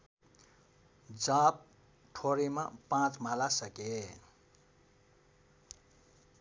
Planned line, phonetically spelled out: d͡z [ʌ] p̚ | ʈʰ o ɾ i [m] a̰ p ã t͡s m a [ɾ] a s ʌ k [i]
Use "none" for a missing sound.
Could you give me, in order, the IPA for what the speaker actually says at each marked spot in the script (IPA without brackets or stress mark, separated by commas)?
a, m, l, e